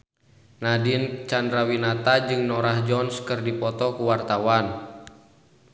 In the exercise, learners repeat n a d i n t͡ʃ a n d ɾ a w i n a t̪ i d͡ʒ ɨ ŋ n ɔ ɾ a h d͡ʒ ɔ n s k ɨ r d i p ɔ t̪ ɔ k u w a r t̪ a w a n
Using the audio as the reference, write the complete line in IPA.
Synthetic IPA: n a d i n t͡ʃ a n d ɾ a w i n a t̪ a d͡ʒ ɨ ŋ n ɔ ɾ a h d͡ʒ ɔ n s k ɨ r d i p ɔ t̪ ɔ k u w a r t̪ a w a n

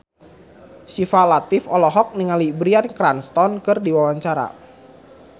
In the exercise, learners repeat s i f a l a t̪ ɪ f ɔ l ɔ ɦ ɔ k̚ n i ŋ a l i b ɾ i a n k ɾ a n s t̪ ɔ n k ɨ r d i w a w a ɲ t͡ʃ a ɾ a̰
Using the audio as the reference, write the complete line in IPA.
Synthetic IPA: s i f a l a t̪ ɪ f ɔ l ɔ ɦ ɔ k̚ n i ŋ a l i b ɾ i a n k ɾ a n s t̪ ɔ n k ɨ r d i w a w a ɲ t͡ʃ a ɾ a̰

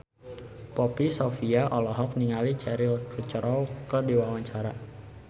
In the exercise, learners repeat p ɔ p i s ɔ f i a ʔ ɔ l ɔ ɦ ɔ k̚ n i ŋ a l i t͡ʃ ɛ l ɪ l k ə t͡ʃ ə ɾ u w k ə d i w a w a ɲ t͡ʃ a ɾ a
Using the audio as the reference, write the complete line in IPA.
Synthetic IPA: p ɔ p i s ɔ f i a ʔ ɔ l ɔ ɦ ɔ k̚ n i ŋ a l i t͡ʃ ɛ ɾ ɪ l k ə t͡ʃ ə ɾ ɔ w k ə d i w a w a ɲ t͡ʃ a ɾ a

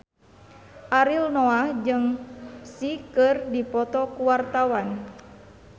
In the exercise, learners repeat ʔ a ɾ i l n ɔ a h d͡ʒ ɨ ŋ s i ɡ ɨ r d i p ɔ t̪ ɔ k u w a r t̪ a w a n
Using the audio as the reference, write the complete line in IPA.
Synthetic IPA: ʔ a ɾ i l n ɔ a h d͡ʒ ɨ ŋ s i k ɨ r d i p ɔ t̪ ɔ k u w a r t̪ a w a n

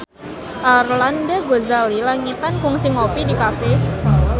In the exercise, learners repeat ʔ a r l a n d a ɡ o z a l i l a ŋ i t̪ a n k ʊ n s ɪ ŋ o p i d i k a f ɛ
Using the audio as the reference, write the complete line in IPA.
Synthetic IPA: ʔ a r l a n d a ɡ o z a l i l a ŋ i t̪ a n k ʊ ŋ s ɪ ŋ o p i d i k a f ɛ

